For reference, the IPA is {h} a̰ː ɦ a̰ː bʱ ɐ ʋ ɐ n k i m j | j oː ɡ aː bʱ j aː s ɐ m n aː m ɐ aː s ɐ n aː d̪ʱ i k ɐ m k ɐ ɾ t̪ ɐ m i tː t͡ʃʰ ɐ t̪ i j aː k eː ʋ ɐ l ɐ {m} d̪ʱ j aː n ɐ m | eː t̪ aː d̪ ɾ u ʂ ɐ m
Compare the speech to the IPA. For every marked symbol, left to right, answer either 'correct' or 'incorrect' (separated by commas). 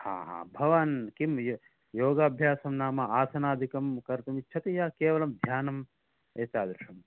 correct, correct